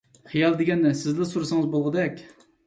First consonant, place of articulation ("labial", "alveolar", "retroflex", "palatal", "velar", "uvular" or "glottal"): uvular